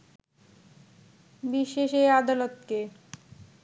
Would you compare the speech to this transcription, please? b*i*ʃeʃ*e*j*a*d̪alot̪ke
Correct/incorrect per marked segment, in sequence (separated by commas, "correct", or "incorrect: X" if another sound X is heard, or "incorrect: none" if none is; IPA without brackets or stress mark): correct, correct, correct